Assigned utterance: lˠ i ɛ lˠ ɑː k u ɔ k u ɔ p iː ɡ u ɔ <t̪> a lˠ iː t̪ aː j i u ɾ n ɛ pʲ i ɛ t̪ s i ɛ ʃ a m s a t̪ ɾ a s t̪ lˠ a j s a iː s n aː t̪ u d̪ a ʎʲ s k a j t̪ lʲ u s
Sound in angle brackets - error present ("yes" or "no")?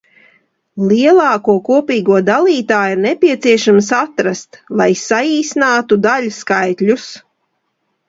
yes